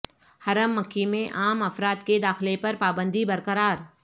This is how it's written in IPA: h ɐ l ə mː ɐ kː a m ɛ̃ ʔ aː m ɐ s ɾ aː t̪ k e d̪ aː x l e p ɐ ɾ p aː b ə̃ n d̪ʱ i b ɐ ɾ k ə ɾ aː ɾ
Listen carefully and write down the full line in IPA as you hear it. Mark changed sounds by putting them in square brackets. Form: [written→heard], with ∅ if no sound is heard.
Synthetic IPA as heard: h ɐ [l→ɾ] ə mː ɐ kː [a→i] m [ɛ̃→ẽ] ʔ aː m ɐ [s→f] ɾ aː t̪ k e d̪ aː x l e p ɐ ɾ p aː b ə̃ n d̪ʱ i b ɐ ɾ k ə ɾ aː ɾ